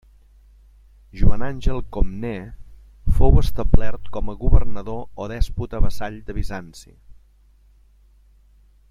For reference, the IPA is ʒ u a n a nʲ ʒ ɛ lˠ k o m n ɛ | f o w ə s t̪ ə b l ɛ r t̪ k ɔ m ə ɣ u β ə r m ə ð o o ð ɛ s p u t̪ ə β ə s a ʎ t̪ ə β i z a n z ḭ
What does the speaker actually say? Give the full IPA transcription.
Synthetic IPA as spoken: ʒ u a n a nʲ ʒ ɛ lˠ k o m n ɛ | f o w ə s t̪ ə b l ɛ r t̪ k ɔ m ə ɣ u β ə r n ə ð o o ð ɛ s p u t̪ ə β ə s a ʎ d̪ ə β i z a n s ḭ